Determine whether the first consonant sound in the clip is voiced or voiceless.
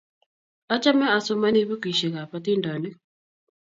voiceless